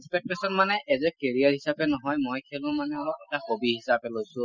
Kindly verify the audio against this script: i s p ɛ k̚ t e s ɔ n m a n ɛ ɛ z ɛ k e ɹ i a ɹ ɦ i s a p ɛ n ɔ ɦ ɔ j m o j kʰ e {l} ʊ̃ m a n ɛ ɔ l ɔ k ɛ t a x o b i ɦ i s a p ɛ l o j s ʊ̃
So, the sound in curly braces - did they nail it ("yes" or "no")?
yes